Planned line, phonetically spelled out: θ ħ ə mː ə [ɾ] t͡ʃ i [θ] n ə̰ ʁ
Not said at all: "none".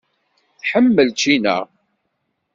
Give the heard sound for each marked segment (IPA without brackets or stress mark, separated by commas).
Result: l, none